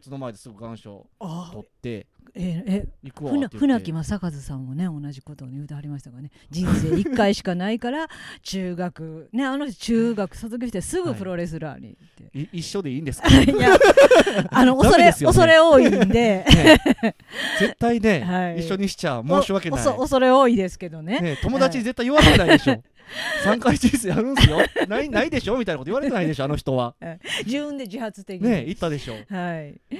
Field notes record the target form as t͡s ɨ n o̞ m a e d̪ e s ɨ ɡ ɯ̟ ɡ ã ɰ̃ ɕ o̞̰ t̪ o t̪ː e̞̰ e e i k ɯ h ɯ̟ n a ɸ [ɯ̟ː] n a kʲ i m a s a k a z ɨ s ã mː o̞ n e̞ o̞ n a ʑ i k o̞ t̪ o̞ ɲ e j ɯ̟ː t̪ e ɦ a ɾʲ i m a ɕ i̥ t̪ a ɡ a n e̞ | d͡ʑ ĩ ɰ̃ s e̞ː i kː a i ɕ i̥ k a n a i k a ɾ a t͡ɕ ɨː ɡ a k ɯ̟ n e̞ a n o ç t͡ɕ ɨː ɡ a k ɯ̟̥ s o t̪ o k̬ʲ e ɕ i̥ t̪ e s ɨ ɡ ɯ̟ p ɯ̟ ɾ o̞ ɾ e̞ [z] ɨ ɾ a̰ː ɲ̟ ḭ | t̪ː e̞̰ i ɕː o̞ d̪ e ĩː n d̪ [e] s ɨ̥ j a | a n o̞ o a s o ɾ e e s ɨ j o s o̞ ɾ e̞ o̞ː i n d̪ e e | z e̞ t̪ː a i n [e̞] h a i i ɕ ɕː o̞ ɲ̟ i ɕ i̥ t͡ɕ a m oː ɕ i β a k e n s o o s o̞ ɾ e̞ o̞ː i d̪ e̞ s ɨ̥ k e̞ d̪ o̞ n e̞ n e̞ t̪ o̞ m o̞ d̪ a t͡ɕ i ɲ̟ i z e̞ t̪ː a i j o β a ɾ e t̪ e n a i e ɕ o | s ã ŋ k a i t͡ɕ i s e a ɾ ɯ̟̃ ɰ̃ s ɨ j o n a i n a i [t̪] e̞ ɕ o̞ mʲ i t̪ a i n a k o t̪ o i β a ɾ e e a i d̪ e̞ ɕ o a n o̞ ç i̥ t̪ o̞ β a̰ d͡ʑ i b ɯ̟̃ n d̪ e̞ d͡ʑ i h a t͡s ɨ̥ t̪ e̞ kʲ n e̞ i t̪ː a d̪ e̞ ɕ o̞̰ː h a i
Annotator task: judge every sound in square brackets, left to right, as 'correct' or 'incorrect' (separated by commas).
incorrect, incorrect, correct, correct, incorrect